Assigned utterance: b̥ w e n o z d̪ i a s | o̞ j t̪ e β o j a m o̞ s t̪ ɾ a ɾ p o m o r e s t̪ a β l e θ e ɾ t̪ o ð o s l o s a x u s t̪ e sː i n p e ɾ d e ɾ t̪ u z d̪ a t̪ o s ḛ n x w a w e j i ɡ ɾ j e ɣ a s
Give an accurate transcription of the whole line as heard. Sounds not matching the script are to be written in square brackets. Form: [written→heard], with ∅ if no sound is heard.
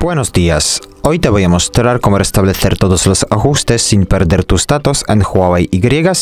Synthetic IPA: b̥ w e n o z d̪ i a s | o̞ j t̪ e β o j a m o̞ s t̪ ɾ a ɾ [p→k] o m o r e s t̪ a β l e θ e ɾ t̪ o ð o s l o s a x u s t̪ e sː i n p e ɾ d e ɾ t̪ u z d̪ a t̪ o s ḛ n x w a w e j i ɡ ɾ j e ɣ a s